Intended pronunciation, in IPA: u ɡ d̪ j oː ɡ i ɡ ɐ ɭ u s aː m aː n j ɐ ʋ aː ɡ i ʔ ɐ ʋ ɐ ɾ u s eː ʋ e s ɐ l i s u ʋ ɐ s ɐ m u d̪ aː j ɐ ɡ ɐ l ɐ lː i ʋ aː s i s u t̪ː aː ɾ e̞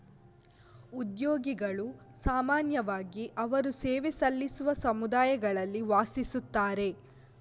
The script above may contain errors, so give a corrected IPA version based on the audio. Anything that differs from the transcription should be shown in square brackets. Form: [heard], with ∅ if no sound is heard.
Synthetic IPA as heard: u [∅] d̪ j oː ɡ i ɡ ɐ ɭ u s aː m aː n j ɐ ʋ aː ɡ i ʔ ɐ ʋ ɐ ɾ u s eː ʋ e s ɐ [lː] i s u ʋ ɐ s ɐ m u d̪ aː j ɐ ɡ ɐ [ɭ] ɐ lː i ʋ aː s i s u t̪ː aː ɾ e̞